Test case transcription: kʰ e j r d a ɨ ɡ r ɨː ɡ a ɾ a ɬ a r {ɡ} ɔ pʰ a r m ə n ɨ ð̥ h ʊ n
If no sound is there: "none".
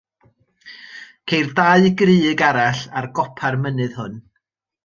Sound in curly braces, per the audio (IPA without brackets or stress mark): ɡ